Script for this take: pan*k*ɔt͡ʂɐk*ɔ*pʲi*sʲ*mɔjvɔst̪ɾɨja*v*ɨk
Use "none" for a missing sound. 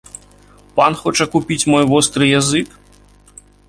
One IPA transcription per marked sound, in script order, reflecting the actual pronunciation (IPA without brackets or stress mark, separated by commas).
x, u, t͡sʲ, z